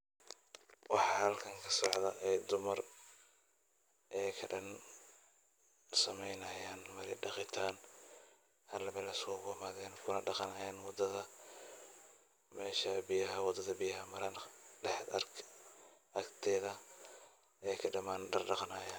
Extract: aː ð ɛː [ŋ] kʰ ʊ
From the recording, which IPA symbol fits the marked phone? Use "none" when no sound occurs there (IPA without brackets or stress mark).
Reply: n